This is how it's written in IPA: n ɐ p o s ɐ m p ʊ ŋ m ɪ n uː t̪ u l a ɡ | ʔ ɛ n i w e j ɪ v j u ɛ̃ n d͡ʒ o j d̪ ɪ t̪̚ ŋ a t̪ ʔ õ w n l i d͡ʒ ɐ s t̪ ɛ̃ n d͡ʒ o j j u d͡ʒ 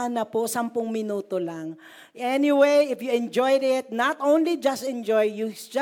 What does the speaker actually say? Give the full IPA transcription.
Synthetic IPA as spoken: n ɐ p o s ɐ m p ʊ ŋ m ɪ n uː t̪ o l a ŋ | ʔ ɛ n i w e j ɪ f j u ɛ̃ n d͡ʒ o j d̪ ɪ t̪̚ n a t̪ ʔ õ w n l i d͡ʒ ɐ s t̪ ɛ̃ n d͡ʒ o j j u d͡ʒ